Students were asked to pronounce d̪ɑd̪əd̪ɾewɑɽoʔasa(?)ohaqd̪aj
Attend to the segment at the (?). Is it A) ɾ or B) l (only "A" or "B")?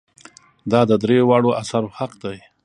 A